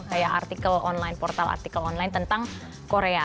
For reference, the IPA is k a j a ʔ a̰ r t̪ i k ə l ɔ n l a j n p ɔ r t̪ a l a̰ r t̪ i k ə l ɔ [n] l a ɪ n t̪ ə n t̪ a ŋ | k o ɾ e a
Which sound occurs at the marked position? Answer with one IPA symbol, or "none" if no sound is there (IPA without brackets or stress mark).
n